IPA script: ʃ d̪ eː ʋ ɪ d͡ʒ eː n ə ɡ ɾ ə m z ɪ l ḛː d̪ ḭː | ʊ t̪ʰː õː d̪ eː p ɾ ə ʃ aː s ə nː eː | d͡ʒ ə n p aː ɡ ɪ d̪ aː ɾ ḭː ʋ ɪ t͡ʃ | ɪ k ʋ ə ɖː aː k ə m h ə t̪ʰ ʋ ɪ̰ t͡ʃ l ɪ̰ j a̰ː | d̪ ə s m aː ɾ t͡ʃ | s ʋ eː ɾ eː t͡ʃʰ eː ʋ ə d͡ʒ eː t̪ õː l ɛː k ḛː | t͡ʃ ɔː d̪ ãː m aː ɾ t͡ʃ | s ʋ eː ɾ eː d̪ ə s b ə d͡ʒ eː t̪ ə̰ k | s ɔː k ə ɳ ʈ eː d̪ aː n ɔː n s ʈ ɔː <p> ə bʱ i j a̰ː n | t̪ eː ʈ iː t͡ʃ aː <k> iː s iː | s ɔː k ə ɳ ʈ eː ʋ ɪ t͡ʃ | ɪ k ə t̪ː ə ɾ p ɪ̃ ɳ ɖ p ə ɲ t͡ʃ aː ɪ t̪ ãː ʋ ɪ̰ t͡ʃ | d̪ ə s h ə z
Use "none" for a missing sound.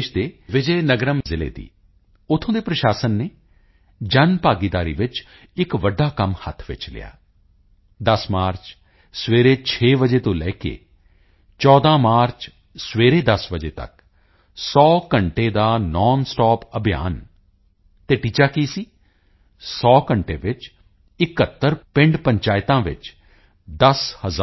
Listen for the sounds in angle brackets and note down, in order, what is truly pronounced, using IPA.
p, k

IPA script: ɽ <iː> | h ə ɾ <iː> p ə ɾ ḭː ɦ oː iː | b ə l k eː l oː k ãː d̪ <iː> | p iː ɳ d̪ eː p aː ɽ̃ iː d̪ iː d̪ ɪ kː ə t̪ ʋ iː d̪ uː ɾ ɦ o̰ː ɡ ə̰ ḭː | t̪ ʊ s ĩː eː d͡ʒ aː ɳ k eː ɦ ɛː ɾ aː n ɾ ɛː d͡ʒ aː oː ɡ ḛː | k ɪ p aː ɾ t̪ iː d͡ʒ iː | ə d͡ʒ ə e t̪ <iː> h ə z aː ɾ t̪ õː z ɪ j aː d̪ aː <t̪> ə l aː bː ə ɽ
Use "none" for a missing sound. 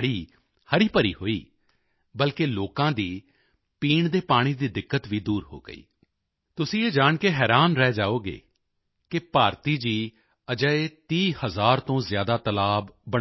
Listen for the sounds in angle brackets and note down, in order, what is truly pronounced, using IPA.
iː, iː, iː, iː, t̪

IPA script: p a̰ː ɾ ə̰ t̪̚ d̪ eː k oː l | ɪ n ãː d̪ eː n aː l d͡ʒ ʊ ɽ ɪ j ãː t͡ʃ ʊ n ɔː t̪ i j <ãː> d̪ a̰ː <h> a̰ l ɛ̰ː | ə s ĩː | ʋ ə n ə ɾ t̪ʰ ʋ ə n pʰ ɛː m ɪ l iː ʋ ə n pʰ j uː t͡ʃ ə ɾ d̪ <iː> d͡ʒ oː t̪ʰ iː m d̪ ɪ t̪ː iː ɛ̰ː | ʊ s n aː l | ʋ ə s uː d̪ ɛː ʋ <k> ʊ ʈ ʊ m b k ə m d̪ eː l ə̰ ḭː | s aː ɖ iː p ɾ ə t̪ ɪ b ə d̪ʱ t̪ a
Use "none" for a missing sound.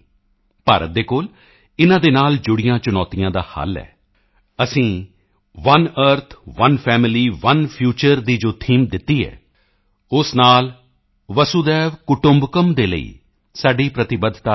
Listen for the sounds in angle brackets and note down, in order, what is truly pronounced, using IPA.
ãː, h, iː, k

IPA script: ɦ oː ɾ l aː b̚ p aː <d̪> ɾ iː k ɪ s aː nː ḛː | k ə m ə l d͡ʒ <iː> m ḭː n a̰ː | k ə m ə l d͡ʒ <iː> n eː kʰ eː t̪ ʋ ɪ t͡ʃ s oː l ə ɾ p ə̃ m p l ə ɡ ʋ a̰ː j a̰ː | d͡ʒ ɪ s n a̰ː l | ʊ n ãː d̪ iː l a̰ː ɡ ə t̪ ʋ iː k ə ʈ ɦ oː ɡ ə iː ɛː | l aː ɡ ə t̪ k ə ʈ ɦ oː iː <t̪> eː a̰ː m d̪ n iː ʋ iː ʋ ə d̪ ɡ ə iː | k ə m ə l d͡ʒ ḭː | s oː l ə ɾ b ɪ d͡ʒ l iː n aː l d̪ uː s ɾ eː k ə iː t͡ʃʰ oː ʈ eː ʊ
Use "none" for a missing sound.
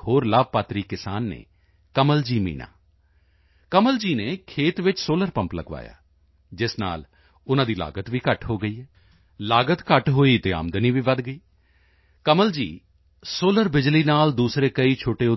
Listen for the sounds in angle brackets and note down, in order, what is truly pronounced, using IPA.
t̪, iː, iː, t̪

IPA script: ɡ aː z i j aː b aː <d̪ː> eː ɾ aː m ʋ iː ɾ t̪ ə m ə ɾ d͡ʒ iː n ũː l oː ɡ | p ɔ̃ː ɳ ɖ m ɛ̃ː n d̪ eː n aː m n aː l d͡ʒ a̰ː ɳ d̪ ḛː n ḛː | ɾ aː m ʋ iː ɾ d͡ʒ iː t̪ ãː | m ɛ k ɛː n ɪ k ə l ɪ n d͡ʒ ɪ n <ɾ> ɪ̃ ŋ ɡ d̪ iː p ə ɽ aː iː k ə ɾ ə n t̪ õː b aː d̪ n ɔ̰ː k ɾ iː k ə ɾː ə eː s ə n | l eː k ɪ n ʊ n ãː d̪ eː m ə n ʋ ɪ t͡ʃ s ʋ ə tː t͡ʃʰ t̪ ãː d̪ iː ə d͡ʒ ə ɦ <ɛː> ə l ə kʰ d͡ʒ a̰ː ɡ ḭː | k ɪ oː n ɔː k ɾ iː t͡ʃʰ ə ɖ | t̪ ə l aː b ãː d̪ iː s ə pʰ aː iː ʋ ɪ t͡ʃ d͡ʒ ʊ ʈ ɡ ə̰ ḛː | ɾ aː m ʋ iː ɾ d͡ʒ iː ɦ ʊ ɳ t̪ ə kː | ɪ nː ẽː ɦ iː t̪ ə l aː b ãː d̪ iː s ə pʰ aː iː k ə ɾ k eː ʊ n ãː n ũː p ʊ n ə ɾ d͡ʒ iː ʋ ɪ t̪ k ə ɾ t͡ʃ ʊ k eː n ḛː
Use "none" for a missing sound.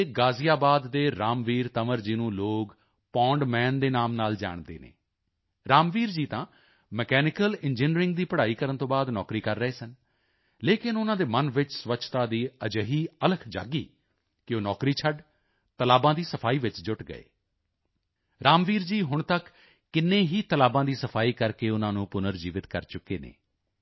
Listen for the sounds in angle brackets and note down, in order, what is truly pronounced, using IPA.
d̪ː, ɾ, iː

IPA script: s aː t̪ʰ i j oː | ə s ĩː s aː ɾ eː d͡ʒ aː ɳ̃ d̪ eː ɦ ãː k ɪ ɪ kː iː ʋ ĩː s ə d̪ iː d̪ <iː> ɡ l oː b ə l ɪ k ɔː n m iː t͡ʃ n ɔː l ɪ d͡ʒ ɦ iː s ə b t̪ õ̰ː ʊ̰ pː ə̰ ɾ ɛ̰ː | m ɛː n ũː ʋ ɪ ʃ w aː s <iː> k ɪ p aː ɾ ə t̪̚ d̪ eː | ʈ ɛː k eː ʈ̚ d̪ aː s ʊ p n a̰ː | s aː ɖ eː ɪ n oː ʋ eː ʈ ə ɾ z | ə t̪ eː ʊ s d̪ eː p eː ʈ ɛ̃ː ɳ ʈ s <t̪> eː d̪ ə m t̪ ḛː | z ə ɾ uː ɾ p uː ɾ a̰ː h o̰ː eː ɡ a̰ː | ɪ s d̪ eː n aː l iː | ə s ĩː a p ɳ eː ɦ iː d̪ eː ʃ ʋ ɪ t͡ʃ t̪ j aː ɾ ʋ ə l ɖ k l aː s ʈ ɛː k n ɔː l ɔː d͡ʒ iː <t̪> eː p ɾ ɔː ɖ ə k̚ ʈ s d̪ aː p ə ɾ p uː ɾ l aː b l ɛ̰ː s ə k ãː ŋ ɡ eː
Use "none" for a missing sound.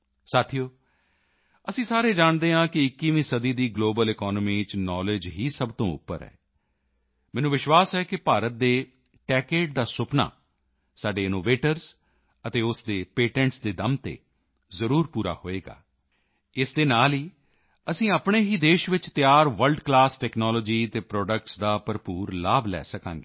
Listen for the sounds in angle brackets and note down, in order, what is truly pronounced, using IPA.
iː, ɛː, d̪, t̪

